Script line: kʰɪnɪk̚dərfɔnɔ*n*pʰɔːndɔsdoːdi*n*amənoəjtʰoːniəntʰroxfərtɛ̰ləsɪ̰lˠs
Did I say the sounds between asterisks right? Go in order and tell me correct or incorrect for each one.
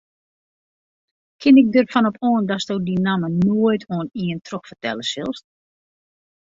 incorrect, correct

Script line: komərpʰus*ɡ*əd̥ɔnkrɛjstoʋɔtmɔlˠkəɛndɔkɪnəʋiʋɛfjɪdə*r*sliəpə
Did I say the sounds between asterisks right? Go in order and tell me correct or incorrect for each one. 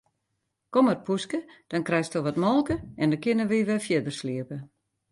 incorrect, correct

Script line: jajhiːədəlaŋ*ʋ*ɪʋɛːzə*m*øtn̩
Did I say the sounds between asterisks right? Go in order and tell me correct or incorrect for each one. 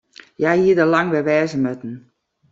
correct, correct

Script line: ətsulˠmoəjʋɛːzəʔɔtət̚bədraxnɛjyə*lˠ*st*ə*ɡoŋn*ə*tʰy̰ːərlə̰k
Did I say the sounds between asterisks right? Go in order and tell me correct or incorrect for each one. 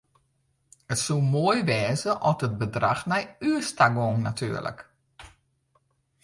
incorrect, incorrect, incorrect

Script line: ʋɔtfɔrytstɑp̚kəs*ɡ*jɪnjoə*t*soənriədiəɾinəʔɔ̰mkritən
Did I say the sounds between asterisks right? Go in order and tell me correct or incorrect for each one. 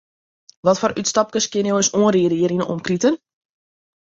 incorrect, incorrect

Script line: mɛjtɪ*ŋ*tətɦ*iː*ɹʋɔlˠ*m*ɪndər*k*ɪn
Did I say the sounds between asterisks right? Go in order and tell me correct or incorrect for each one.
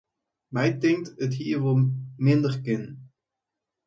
correct, correct, correct, correct

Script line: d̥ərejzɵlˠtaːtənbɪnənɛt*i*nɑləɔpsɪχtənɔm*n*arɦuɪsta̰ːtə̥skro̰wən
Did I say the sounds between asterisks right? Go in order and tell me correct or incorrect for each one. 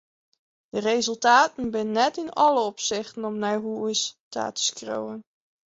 incorrect, correct

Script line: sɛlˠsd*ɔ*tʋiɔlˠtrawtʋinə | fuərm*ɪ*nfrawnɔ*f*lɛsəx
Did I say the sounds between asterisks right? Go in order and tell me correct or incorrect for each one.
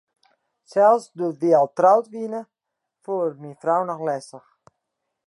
incorrect, incorrect, incorrect

